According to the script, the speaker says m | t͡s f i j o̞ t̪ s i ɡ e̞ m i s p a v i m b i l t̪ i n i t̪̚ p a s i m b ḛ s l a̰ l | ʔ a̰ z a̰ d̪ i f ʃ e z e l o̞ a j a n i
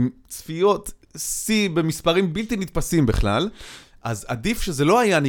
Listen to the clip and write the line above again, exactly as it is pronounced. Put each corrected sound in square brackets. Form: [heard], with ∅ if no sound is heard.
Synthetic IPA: m | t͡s f i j o̞ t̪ s i [b] e̞ m i s p a [ʁ] i m b i l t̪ i n i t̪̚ p a s i m b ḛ [χ] l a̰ l | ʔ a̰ z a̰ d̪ i f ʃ e z e l o̞ a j a n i